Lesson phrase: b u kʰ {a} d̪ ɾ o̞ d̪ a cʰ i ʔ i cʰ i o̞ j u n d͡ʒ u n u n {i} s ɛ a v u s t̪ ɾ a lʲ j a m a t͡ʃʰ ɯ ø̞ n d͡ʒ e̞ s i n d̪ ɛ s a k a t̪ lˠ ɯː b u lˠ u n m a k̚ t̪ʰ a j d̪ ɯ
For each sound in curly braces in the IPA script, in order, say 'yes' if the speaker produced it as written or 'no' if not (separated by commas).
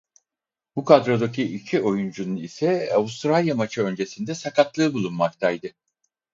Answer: yes, yes